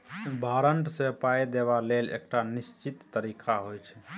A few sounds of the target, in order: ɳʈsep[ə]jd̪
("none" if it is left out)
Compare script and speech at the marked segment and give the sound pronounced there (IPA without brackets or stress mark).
a